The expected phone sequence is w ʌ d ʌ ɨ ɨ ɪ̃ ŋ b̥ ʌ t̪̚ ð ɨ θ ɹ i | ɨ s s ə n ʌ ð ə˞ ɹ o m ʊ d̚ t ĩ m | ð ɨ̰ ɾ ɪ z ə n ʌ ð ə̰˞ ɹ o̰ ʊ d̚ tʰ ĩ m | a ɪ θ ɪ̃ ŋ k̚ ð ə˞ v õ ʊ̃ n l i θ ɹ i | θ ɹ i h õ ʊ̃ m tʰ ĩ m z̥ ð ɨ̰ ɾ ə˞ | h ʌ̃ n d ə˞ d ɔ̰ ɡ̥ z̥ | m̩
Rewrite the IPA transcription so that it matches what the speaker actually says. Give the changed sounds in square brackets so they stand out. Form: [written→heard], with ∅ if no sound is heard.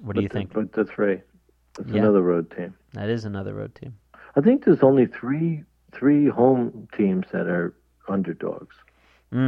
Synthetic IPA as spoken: w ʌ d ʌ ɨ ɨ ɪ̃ ŋ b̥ ʌ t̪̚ ð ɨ θ ɹ i | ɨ [s→t] s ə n ʌ ð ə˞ ɹ o [m→∅] ʊ d̚ [t→tʰ] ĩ m | ð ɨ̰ ɾ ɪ z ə n ʌ ð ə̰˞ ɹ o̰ ʊ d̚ tʰ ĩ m | a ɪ θ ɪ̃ ŋ k̚ ð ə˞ [v→z] õ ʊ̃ n l i θ ɹ i | θ ɹ i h õ ʊ̃ m tʰ ĩ m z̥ ð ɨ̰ ɾ ə˞ | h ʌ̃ n d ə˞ d ɔ̰ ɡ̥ z̥ | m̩